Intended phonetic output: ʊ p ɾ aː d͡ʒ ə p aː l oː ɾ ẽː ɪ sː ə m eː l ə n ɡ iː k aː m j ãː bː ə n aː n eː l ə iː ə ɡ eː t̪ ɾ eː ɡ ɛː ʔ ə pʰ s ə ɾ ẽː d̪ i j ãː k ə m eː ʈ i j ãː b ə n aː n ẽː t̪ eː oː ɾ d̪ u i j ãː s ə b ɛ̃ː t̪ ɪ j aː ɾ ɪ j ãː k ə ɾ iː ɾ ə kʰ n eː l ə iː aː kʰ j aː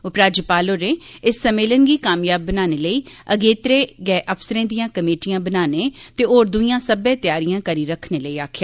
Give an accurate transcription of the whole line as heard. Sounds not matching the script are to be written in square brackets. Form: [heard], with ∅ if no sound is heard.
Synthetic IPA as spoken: ʊ p ɾ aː d͡ʒ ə p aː l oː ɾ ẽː ɪ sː ə m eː l ə n ɡ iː k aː m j [aː] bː ə n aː n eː l ə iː ə ɡ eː t̪ ɾ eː ɡ ɛː ʔ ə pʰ s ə ɾ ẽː d̪ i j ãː k ə m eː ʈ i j ãː b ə n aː n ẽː t̪ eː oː ɾ d̪ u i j ãː s ə b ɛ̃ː t̪ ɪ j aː ɾ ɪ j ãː k ə ɾ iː ɾ ə kʰ n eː l ə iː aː kʰ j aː